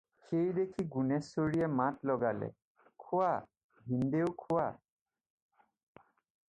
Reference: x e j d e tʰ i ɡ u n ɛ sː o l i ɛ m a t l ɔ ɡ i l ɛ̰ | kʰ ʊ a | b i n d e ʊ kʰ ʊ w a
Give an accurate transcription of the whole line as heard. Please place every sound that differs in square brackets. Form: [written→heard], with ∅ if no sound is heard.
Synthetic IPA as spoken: x e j d e [tʰ→kʰ] i ɡ u n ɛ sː o [l→ɹ] i ɛ m a t l ɔ ɡ [i→a] l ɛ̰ | kʰ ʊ a | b i n d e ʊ kʰ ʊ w a